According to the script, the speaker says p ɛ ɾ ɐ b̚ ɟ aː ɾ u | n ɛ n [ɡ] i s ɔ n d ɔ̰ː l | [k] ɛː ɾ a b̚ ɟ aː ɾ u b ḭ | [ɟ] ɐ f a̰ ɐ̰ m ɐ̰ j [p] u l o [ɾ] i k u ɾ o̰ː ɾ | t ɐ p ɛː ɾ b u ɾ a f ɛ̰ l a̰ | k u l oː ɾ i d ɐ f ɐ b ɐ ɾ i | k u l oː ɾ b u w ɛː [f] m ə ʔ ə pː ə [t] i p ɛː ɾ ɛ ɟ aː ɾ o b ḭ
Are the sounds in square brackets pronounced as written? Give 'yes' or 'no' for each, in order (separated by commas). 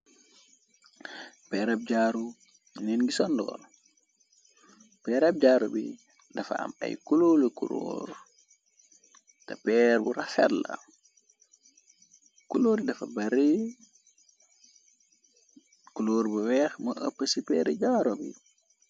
yes, no, no, no, no, no, no